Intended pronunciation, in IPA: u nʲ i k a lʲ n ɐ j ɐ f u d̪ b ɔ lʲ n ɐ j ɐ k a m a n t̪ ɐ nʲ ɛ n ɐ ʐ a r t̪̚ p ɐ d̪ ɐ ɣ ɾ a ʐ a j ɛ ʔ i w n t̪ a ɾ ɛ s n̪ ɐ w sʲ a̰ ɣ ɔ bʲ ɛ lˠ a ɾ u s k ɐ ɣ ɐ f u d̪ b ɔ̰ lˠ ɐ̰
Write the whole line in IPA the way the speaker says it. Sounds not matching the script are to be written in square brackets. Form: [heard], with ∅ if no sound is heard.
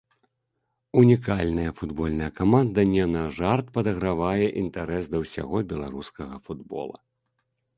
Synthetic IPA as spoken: u nʲ i k a lʲ n ɐ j ɐ f u d̪ b ɔ lʲ n ɐ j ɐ k a m a n [d̪] ɐ nʲ ɛ n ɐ ʐ a r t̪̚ p ɐ d̪ ɐ ɣ ɾ a [v] a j ɛ ʔ i [∅] n t̪ a ɾ ɛ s [d̪] ɐ w sʲ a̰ ɣ ɔ bʲ ɛ lˠ a ɾ u s k ɐ ɣ ɐ f u d̪ b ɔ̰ lˠ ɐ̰

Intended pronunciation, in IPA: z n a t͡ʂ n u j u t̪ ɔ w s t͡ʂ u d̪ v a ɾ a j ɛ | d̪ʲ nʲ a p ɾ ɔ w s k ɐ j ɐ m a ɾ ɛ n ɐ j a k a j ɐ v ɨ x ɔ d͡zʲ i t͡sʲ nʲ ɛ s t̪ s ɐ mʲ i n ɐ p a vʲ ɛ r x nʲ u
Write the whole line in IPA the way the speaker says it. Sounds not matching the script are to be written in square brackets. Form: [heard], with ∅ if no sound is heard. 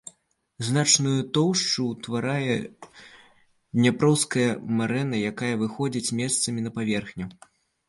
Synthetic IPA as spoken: z n a t͡ʂ n u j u t̪ ɔ w [ʂ] t͡ʂ u [t̪] v a ɾ a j ɛ | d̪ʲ nʲ a p ɾ ɔ w s k ɐ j ɐ m a ɾ ɛ n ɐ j a k a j ɐ v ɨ x ɔ d͡zʲ i t͡sʲ [mʲ] ɛ s t̪ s ɐ mʲ i n ɐ p a vʲ ɛ r x nʲ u

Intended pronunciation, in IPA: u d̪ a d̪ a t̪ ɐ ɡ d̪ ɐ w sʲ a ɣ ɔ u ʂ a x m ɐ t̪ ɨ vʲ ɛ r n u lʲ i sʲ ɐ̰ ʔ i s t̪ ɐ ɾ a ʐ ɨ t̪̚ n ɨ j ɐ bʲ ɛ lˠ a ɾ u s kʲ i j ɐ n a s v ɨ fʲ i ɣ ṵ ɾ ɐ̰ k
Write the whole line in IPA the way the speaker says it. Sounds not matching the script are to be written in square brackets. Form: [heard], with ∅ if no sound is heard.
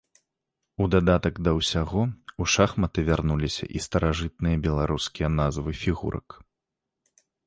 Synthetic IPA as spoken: u d̪ a d̪ a t̪ ɐ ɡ d̪ ɐ w sʲ a ɣ ɔ u ʂ a x m ɐ t̪ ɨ vʲ [a] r n u lʲ i sʲ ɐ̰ ʔ i s t̪ ɐ ɾ a ʐ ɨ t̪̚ n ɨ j ɐ bʲ ɛ lˠ a ɾ u s kʲ i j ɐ n a [z] v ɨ fʲ i ɣ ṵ ɾ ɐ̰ k

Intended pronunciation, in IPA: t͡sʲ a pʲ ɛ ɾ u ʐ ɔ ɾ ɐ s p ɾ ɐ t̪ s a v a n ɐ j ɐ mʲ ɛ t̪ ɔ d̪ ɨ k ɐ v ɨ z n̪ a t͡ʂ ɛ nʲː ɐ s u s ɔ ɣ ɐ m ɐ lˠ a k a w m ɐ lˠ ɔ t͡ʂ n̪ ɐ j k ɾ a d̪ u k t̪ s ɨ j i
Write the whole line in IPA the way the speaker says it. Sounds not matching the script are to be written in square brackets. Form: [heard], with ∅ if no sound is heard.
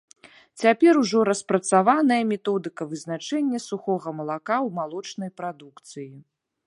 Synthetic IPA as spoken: t͡sʲ a pʲ ɛ ɾ u ʐ ɔ ɾ ɐ s p ɾ ɐ t̪ s a v a n ɐ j ɐ mʲ ɛ t̪ ɔ d̪ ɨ k ɐ v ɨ z n̪ a t͡ʂ ɛ nʲː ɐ s u [x] ɔ ɣ ɐ m ɐ lˠ a k a w m [a] lˠ ɔ t͡ʂ n̪ ɐ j [p] ɾ a d̪ u k t̪ s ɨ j i

